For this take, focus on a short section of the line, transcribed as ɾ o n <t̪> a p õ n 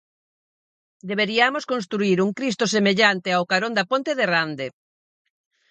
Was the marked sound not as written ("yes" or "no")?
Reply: yes